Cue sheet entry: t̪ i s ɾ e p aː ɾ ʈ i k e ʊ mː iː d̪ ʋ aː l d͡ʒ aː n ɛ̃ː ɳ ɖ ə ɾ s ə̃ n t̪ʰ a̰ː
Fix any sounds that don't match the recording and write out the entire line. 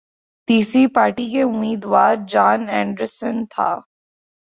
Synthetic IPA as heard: t̪ iː s ɾ i p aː ɾ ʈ i k e ʊ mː iː d̪ ʋ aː ɾ d͡ʒ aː n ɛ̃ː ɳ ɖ ə ɾ s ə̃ n t̪ʰ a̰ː